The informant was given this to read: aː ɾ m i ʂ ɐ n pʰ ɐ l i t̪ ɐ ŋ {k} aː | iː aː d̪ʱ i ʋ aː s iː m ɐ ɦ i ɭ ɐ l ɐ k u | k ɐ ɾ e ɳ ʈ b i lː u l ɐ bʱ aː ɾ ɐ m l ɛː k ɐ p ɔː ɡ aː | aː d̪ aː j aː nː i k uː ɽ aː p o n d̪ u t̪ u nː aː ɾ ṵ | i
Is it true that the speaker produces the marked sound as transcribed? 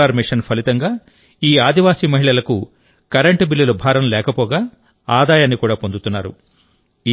no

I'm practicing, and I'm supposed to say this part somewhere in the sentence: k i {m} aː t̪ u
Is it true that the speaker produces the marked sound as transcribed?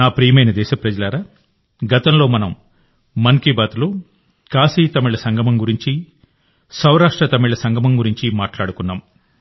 no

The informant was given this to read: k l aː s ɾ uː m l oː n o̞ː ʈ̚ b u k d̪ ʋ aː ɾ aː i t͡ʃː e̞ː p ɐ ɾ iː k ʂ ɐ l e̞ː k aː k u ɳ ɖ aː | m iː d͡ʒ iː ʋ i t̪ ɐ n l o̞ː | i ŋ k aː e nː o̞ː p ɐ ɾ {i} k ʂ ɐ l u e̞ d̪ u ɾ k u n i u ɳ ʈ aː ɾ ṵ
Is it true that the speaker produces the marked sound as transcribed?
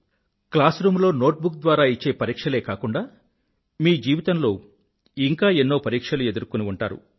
no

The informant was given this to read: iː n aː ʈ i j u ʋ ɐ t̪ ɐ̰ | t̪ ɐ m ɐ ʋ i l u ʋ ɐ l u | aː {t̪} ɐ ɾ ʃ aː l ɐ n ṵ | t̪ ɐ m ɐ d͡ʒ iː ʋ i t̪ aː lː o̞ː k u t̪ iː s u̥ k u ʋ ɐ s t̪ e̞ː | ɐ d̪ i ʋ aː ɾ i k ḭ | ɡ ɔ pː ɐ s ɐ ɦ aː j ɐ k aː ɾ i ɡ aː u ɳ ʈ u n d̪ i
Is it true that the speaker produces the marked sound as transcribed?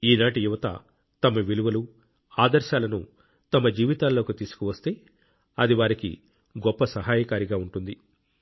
no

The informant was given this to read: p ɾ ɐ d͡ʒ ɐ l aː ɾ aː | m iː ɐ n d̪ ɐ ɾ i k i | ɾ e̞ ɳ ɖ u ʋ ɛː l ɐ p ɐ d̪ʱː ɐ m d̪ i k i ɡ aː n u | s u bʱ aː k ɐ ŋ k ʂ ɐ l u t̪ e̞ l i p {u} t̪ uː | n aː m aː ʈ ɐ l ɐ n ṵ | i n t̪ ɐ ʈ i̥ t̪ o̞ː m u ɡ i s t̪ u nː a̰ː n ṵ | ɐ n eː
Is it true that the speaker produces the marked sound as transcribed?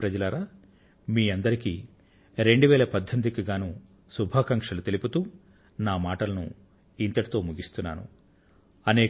yes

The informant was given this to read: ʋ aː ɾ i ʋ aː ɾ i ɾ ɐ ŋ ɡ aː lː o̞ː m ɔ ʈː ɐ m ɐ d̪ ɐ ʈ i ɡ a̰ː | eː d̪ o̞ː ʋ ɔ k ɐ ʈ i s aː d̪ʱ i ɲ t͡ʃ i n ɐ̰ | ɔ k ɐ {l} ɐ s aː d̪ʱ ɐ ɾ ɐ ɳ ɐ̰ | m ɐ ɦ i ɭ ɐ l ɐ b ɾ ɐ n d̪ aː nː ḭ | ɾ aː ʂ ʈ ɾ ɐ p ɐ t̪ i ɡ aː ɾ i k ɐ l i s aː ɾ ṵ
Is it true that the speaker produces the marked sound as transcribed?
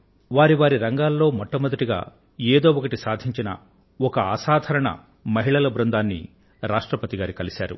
no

